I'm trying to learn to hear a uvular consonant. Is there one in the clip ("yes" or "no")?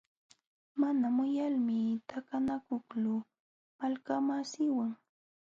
no